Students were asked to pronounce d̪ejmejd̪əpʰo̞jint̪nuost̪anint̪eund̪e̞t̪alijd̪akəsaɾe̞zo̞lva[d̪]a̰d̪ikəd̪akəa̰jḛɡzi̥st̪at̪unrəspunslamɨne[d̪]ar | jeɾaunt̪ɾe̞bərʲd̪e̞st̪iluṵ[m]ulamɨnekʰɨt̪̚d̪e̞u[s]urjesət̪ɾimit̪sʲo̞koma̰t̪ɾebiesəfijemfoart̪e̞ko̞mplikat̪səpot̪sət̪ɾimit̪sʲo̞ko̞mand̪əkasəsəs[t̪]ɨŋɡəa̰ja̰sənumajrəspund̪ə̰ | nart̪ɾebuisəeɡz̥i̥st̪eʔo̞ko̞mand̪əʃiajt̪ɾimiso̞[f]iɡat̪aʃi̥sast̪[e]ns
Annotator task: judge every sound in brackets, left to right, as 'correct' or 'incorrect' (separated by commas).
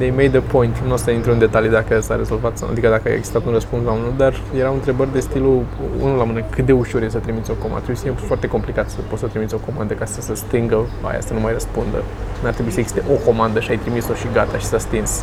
incorrect, correct, incorrect, incorrect, correct, incorrect, incorrect